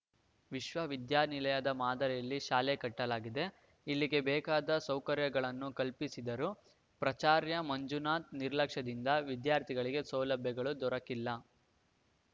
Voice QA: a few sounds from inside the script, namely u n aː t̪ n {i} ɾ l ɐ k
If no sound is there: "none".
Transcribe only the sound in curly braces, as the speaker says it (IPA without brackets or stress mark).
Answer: i